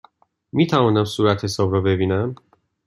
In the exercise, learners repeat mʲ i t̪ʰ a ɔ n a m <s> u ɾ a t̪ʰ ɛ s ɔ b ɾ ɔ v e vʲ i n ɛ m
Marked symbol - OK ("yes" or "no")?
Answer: yes